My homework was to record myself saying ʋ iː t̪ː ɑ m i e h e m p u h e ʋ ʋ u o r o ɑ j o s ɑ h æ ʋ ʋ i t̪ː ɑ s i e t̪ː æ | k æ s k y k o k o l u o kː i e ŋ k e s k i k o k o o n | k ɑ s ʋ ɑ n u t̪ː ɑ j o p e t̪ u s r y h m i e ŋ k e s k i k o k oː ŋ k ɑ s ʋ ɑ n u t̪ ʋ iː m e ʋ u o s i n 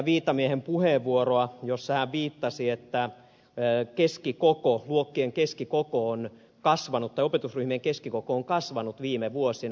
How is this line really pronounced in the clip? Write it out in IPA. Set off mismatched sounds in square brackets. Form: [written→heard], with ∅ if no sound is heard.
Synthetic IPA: ʋ iː t̪ː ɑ m i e h e m p u h e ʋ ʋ u o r o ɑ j o [s→sː] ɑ h æ ʋ ʋ [i→iː] t̪ː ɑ s i e t̪ː æ | k [æ→e] s k [y→i] k o k o l u o kː i e ŋ k e s k i k o k o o n | k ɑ s ʋ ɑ n u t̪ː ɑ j o p e t̪ u s r y h m i e ŋ k e s k i k o k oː ŋ k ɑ s ʋ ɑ n u t̪ ʋ iː m e ʋ u o s i n